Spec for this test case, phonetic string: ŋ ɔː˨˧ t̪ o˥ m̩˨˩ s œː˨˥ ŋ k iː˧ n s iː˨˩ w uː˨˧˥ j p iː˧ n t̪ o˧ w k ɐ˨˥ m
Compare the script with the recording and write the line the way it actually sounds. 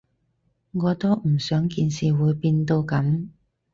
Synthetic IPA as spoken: ŋ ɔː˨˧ t̪ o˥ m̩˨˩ s œː˨˥ ŋ k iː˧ n s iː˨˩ w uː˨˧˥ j p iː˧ n t̪ o˧ w k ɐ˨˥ m